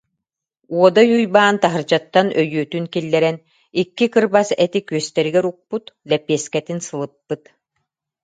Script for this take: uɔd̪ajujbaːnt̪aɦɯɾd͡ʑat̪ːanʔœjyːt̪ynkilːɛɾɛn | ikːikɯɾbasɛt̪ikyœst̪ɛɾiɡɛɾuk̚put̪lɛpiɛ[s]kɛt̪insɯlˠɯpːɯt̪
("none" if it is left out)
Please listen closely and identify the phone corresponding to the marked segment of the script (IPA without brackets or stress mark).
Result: s